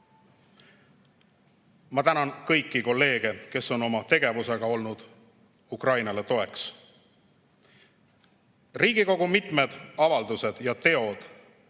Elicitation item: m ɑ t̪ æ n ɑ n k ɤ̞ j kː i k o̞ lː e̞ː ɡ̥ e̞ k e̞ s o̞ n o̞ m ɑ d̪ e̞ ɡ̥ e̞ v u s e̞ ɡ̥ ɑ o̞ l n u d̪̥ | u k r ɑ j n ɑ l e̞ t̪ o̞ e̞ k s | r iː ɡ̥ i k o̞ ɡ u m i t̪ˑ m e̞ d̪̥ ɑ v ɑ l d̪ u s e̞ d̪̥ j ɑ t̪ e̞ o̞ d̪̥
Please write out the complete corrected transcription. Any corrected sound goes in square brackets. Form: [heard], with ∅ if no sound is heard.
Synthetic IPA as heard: m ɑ t̪ æ n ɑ n k ɤ̞ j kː i k o̞ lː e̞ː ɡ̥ e̞ k e̞ s o̞ n o̞ m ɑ [t̪] e̞ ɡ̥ e̞ v u s e̞ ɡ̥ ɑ o̞ l n u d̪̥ | u k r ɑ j n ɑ l e̞ t̪ o̞ e̞ k s | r iː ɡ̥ i k o̞ ɡ u m i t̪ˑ m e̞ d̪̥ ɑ v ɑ l d̪ u s e̞ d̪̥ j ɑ t̪ e̞ o̞ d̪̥